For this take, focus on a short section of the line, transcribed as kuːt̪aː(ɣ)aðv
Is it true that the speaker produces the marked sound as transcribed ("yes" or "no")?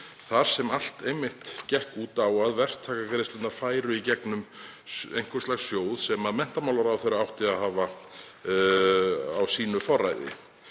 no